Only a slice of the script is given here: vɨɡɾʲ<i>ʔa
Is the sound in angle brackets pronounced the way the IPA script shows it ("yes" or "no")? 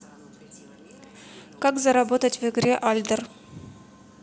no